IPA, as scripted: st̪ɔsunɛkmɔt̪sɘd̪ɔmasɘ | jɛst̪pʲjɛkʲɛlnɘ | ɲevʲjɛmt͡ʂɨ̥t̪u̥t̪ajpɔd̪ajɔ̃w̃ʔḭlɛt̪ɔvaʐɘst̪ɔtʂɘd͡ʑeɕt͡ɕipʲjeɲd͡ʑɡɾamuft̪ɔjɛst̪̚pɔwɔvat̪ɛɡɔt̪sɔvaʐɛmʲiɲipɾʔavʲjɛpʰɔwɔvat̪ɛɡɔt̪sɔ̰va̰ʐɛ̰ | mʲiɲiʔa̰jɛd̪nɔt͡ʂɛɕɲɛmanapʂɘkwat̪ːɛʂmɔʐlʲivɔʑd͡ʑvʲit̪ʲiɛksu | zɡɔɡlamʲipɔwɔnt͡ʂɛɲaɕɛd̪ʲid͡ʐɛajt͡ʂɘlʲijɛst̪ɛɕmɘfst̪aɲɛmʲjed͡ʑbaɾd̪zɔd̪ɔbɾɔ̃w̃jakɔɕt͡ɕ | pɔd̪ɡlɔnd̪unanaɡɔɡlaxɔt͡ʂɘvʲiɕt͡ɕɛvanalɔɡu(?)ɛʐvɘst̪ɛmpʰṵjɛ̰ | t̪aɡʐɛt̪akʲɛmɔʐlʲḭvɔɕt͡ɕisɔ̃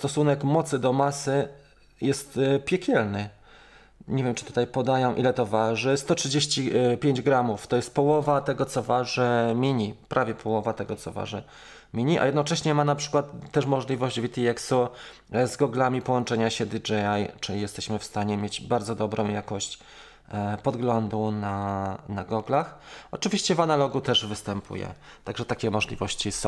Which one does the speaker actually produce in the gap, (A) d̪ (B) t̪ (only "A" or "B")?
B